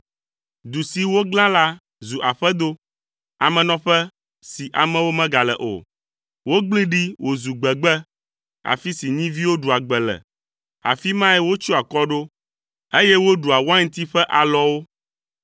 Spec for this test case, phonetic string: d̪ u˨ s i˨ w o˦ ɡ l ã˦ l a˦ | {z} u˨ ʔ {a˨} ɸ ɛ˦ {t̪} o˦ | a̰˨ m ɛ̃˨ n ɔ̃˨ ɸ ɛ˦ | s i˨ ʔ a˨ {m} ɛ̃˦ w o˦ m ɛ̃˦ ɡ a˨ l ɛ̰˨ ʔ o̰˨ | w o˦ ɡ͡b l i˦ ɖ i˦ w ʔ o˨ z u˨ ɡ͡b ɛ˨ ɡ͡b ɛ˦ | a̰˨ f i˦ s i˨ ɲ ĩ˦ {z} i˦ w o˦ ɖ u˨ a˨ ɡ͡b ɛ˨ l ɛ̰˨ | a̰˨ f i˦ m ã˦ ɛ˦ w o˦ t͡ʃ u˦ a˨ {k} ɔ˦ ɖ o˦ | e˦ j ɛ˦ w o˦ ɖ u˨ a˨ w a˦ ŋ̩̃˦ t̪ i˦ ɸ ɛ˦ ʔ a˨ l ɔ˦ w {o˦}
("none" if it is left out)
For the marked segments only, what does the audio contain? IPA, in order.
z, a˨, d̪, m, v, k, o˦

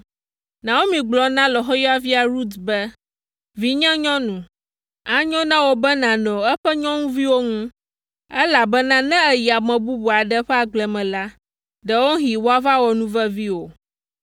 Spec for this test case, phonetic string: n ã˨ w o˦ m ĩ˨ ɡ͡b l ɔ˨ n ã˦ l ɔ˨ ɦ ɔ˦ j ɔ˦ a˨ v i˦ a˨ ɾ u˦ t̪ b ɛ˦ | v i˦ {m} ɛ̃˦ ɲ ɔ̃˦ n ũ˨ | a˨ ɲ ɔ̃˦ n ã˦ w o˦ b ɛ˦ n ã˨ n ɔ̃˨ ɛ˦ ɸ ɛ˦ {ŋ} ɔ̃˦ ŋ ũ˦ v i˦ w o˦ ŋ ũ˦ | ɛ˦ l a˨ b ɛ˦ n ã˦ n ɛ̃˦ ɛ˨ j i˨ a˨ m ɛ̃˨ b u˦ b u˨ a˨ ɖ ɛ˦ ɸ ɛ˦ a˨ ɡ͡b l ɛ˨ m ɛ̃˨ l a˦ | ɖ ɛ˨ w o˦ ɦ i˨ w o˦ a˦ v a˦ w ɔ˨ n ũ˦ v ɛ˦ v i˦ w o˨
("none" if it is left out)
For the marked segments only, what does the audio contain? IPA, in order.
ɲ, ɲ

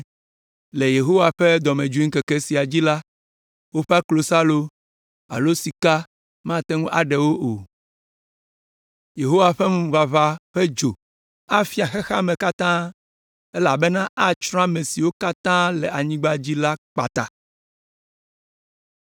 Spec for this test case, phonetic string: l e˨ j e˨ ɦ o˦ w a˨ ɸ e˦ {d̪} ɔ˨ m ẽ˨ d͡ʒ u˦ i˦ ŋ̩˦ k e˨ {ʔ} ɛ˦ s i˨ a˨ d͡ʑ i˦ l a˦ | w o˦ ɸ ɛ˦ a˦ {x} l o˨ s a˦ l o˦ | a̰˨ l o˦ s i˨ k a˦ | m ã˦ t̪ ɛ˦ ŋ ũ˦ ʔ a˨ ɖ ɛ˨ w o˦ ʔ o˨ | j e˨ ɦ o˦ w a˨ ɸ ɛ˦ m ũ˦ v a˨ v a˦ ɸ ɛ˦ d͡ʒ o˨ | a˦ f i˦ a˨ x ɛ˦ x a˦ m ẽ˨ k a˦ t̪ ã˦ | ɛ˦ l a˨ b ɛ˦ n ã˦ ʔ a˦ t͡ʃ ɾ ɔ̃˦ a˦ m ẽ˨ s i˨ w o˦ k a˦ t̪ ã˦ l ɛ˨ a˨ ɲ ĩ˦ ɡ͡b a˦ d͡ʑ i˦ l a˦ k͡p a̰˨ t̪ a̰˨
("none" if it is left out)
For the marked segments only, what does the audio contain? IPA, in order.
d̪, k, k

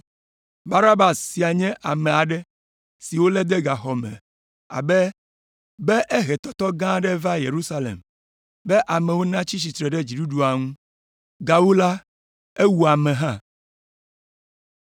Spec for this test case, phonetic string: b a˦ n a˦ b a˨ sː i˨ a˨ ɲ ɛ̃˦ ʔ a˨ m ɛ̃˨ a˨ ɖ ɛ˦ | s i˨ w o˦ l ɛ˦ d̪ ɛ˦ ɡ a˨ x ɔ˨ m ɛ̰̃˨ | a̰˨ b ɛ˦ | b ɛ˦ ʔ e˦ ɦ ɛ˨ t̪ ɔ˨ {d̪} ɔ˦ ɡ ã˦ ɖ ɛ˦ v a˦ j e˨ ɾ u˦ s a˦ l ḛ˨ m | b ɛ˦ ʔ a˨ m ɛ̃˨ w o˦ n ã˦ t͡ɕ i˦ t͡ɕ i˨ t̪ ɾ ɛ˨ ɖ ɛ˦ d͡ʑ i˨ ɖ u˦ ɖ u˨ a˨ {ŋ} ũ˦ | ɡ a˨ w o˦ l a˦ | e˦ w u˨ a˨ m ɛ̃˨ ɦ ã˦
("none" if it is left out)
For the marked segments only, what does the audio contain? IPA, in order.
t̪, ŋ

